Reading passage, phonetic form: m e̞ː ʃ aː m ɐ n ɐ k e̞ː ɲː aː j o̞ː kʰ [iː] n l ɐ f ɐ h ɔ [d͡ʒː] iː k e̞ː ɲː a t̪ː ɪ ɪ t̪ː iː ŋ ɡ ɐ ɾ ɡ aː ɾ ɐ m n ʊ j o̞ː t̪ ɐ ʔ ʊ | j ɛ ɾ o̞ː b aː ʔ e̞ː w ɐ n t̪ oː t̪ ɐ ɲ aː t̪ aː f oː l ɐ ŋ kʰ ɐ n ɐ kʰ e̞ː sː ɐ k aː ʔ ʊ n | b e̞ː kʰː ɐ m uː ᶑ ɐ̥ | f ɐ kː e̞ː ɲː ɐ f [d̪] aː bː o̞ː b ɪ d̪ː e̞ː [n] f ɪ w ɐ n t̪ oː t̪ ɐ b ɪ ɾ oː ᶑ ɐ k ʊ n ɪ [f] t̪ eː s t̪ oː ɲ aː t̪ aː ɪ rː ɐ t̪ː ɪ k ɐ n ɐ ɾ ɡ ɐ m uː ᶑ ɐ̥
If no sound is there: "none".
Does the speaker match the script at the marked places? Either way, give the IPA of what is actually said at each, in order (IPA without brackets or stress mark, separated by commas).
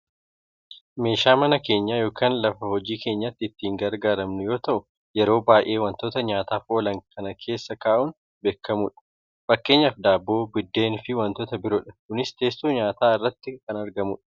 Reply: aː, d͡ʒ, d̪, n, s